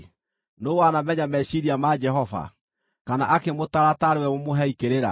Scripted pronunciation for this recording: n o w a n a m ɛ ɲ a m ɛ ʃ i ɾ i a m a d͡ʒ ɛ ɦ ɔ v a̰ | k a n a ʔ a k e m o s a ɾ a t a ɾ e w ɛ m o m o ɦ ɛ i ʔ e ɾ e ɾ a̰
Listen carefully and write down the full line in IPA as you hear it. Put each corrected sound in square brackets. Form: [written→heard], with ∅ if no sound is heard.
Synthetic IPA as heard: n o w a n a m ɛ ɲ a m ɛ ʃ i ɾ i a m a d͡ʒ ɛ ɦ ɔ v a̰ | k a n a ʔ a k e m o [s→t] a ɾ a t a ɾ e w ɛ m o m o ɦ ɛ i [ʔ→k] e ɾ e ɾ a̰